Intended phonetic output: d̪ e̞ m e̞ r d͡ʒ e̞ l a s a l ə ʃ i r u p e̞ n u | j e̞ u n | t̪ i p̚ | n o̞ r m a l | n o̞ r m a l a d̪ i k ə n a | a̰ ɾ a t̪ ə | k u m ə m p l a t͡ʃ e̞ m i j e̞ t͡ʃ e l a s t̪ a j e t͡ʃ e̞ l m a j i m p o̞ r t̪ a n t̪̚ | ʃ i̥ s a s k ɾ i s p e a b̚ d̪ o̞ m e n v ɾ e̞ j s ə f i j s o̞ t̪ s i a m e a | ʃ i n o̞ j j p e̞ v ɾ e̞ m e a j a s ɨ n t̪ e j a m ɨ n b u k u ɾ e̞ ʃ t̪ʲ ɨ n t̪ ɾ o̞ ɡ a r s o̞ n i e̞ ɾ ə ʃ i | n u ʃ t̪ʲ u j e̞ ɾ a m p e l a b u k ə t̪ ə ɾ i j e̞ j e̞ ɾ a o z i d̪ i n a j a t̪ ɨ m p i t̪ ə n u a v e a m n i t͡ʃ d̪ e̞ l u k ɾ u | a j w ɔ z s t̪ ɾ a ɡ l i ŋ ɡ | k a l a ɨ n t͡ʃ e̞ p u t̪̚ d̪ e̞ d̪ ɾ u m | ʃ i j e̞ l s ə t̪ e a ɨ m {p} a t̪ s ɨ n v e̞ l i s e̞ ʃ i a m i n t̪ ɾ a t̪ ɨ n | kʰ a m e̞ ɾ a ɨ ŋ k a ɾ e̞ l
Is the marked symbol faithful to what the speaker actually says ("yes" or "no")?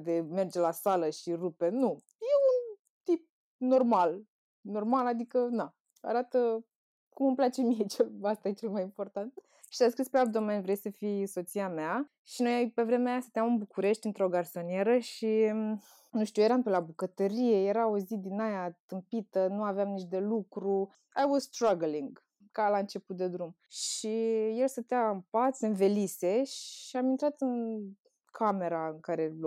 yes